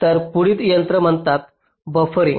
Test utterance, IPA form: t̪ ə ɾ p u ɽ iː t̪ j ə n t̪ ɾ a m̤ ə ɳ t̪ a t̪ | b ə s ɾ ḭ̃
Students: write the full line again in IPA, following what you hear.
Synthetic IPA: t̪ ə ɾ p u ɽ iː t̪ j ə n t̪ ɾ ə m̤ ə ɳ t̪ a t̪ | b ə f ɾ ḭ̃

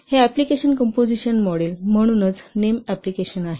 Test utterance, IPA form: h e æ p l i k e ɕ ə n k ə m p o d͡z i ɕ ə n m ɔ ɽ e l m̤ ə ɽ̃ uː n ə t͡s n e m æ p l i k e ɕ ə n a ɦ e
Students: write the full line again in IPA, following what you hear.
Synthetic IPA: h e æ p l i k e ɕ ə n k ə m p o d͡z i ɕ ə n m ɔ ɽ e l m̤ ə ɽ̃ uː n ə t͡s n e m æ p l i k e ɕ ə n a ɦ e

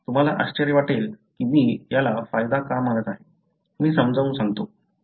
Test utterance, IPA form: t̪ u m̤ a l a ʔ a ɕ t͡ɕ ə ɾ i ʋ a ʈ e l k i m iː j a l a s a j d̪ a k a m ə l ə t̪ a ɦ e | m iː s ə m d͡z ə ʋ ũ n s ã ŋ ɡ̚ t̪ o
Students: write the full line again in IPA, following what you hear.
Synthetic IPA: t̪ u m̤ a l a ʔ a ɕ t͡ɕ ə ɾ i ʋ a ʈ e l k i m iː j a l a f a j d̪ a k a m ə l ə t̪ a ɦ e | m iː s ə m d͡z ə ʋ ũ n s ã ŋ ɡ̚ t̪ o

